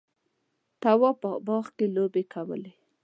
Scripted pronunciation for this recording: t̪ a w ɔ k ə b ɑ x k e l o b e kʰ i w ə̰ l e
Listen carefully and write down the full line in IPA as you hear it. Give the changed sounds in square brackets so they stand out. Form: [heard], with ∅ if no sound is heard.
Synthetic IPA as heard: t̪ a w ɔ [p] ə b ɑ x k e l o b e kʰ [a] w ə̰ l e

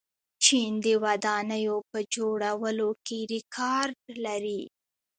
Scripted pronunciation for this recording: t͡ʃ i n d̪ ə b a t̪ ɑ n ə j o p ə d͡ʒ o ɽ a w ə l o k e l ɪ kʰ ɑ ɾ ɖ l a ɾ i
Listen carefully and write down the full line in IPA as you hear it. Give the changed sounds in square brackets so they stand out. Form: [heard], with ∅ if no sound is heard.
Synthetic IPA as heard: t͡ʃ i n d̪ ə [w] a [d̪] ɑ n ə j o p ə d͡ʒ o ɽ a w ə l o k e [ɾ] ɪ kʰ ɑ ɾ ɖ l a ɾ i

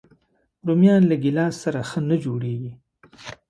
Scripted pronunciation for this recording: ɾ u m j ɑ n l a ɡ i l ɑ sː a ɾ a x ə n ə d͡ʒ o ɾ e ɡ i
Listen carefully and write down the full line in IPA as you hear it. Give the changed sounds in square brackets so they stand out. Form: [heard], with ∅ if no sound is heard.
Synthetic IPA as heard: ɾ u m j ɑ n l a ɡ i l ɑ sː a ɾ a x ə n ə d͡ʒ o [ɽ] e ɡ i

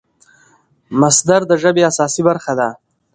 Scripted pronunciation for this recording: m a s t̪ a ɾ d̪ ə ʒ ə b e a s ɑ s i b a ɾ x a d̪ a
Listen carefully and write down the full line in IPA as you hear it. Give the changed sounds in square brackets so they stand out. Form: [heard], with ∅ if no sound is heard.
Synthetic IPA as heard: m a s [d̪] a ɾ d̪ ə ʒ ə b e a s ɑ s i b a ɾ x a d̪ a

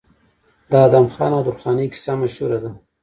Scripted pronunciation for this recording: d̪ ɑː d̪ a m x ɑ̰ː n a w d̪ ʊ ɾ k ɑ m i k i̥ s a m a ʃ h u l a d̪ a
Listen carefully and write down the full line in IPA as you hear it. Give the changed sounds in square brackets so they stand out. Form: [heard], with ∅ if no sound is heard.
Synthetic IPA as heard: d̪ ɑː d̪ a m x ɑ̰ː n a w d̪ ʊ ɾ [x] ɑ [n] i k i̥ s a m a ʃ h u [ɾ] a d̪ a

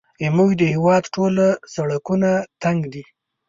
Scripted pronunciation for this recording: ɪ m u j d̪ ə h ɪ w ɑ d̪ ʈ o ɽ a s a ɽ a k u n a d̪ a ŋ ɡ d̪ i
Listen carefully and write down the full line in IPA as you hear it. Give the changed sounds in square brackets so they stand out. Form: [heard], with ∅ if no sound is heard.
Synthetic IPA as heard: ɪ m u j d̪ ə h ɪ w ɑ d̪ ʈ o [l] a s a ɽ a k u n a [t̪] a ŋ ɡ d̪ i

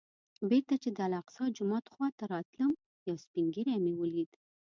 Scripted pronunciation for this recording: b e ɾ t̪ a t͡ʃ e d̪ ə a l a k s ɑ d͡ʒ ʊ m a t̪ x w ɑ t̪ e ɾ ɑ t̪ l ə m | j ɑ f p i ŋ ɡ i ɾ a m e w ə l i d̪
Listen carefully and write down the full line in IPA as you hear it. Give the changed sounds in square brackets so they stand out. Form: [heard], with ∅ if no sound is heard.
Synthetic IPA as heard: b e ɾ t̪ a t͡ʃ e d̪ ə a l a [q] s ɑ d͡ʒ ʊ m [ɑ] t̪ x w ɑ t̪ [a] ɾ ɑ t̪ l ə m | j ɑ [s] p i ŋ ɡ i ɾ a m e w ə l i d̪

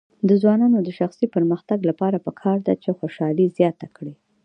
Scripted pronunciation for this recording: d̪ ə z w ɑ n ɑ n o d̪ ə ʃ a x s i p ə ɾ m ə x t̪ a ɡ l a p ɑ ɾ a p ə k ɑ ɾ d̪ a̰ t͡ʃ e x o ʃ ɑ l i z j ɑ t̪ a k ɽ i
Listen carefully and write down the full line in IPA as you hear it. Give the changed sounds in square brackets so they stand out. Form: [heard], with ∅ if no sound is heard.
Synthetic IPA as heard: d̪ ə z w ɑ n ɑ n o d̪ ə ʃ a x s i p ə ɾ m ə x t̪ a ɡ l a p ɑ ɾ a p ə [kʰ] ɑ ɾ d̪ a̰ t͡ʃ e x o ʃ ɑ l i z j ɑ t̪ a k ɽ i

